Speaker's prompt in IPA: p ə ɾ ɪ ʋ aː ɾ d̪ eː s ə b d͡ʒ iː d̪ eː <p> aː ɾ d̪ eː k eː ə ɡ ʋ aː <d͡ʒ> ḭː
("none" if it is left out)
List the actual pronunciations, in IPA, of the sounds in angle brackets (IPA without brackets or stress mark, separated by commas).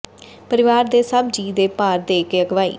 p, none